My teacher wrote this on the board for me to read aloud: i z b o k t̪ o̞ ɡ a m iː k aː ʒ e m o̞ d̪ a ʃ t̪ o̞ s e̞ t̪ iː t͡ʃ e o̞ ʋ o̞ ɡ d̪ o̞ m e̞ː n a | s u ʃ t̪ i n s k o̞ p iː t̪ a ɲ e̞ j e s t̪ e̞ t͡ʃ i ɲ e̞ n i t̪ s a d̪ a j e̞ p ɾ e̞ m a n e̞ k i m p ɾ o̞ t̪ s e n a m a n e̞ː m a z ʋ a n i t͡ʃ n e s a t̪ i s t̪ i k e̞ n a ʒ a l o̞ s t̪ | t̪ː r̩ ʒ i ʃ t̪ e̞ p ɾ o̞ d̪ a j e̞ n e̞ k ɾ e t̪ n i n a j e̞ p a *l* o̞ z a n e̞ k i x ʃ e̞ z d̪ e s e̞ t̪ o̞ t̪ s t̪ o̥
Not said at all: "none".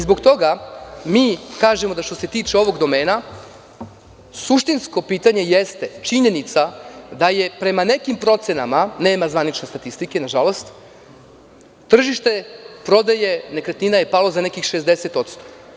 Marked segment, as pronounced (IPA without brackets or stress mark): l